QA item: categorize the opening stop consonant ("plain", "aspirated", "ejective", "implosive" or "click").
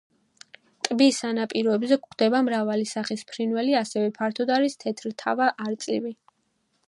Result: ejective